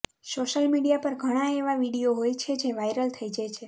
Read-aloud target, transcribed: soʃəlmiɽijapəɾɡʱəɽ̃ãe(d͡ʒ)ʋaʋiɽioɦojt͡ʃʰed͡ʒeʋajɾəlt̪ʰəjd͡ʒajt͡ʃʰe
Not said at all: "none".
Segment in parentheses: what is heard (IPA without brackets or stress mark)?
none